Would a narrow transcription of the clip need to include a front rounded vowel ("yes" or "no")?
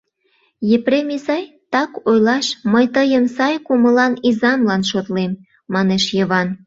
no